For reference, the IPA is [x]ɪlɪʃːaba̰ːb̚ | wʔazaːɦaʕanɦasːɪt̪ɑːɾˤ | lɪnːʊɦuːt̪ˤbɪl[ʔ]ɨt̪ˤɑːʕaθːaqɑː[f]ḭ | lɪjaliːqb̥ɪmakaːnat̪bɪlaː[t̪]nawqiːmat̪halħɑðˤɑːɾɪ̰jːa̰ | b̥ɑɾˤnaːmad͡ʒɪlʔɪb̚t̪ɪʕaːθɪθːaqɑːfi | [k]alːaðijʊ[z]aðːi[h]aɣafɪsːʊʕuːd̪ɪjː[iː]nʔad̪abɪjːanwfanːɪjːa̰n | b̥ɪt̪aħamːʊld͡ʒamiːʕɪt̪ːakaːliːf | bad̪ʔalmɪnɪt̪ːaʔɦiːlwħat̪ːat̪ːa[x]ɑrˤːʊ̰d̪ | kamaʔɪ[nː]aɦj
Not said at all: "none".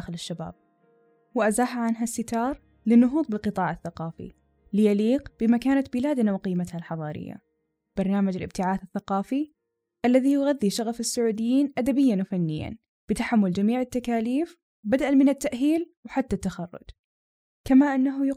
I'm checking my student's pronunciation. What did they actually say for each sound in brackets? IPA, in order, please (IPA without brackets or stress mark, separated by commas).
x, q, f, d̪, ʔ, ɣ, ʃ, iː, x, nː